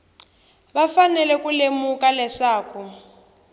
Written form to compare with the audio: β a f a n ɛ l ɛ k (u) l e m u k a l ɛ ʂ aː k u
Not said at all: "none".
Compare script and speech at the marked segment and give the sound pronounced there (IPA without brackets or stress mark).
u